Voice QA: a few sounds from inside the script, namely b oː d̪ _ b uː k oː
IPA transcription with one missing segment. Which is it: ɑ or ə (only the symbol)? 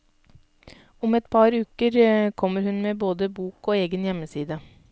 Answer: ə